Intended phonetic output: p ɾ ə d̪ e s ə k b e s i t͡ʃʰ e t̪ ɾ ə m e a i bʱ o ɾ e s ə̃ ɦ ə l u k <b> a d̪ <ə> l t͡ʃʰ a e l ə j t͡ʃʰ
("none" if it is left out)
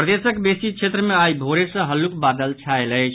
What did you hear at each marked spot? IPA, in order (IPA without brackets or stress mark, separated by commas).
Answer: b, ə